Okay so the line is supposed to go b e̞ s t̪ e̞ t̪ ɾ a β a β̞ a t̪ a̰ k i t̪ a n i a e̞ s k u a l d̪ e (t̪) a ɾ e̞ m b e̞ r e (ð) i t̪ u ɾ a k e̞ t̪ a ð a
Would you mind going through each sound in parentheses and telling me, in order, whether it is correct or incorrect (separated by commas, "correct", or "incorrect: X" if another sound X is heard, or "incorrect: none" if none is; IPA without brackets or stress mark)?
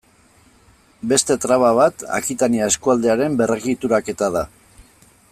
incorrect: none, incorrect: ɣ